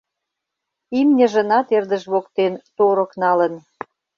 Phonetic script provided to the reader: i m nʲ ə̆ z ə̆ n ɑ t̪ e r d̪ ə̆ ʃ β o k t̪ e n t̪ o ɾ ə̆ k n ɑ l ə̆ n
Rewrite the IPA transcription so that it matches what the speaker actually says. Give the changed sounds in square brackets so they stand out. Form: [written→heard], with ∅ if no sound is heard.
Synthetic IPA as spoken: i m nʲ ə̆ [z→ʒ] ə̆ n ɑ t̪ e r d̪ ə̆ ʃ β o k t̪ e n t̪ o ɾ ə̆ k n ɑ l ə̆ n